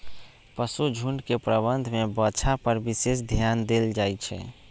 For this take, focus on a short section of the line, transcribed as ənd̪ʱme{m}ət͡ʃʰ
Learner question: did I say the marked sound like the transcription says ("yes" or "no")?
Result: no